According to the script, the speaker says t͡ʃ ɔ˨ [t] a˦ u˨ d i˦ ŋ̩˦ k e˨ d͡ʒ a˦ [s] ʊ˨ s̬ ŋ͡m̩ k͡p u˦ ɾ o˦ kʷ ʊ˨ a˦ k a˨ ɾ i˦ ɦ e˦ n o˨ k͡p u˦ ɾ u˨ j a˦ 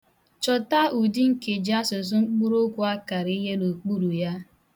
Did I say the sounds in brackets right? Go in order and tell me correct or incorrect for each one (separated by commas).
correct, correct